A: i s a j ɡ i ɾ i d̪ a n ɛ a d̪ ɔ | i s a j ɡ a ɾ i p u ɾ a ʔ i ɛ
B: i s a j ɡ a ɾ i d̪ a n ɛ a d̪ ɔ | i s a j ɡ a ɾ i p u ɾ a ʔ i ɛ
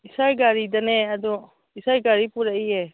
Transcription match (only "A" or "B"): B